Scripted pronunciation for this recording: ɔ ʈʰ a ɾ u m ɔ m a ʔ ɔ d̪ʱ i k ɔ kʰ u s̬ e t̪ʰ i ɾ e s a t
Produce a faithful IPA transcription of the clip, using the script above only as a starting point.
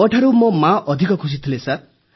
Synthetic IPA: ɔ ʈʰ a ɾ u m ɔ m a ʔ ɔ d̪ʱ i k ɔ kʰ u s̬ i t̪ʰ i l e s a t